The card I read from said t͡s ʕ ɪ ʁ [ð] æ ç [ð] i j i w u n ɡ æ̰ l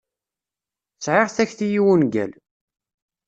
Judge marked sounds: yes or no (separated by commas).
no, no